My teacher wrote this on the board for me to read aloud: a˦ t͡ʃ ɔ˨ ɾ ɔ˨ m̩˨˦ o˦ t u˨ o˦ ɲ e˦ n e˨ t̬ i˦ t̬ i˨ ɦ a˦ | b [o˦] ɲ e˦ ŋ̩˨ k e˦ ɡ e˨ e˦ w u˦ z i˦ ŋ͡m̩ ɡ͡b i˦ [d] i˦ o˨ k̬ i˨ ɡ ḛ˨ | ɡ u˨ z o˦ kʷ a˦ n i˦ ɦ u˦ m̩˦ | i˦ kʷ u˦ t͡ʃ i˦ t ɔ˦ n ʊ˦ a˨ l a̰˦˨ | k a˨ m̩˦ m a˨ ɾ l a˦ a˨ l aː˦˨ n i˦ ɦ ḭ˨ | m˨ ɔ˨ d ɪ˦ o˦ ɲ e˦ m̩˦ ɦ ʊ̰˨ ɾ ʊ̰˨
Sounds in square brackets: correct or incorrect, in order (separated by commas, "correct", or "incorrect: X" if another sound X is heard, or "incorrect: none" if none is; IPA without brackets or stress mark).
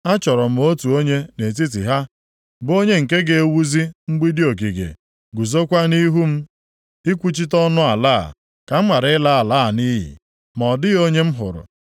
correct, correct